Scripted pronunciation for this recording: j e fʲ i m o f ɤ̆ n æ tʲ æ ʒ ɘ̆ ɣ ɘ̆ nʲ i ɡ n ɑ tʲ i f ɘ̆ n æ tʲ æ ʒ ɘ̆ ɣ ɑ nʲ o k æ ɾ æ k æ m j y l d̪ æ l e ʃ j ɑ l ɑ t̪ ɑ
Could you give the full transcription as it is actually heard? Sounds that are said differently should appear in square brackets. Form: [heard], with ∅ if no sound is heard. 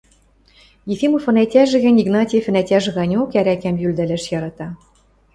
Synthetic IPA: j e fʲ i m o f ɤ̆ n æ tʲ æ ʒ ɘ̆ ɣ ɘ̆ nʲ i ɡ n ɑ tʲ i f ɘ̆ n æ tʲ æ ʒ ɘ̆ ɣ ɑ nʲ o k æ ɾ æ k æ m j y l d̪ æ l [æ] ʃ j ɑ [ɾ] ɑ t̪ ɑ